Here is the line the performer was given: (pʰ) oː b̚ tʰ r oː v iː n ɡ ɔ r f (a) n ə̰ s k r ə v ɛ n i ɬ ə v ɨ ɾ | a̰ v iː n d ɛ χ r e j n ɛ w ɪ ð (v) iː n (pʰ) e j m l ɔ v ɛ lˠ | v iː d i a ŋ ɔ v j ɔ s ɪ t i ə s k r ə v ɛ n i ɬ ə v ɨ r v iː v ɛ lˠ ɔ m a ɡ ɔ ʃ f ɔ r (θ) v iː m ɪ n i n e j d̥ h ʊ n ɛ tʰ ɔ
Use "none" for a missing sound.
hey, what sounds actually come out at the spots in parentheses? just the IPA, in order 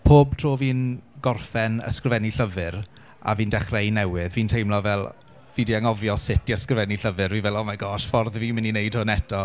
pʰ, ɛ, v, tʰ, ð

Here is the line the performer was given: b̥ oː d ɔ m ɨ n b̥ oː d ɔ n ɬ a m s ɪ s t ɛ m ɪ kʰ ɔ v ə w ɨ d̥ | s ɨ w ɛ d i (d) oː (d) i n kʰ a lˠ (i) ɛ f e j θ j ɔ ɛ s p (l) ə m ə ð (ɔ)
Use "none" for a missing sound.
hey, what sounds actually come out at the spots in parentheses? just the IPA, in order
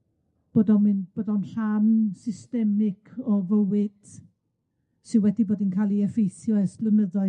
b, d, i, l, ɔ

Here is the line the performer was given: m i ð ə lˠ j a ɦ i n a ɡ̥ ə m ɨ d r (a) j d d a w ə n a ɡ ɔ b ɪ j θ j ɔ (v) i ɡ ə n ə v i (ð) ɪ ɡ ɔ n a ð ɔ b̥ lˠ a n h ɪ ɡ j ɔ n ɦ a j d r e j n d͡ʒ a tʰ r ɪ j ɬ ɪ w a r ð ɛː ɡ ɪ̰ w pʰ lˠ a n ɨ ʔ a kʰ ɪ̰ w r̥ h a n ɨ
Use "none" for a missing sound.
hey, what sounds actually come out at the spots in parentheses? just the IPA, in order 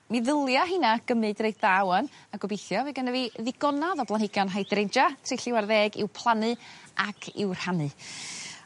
e, v, ð

